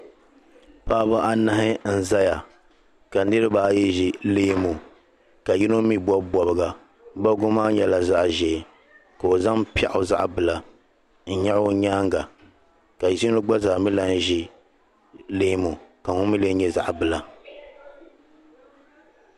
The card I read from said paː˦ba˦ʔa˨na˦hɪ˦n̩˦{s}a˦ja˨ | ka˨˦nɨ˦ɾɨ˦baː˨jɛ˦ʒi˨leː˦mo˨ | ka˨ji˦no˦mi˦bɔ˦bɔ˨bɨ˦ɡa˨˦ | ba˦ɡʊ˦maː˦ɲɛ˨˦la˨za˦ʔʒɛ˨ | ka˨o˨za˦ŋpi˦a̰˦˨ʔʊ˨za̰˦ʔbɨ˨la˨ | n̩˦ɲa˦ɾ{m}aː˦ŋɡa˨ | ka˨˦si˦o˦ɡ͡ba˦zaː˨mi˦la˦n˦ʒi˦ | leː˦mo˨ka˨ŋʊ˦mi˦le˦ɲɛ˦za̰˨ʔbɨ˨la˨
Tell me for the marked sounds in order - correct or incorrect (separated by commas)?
incorrect, incorrect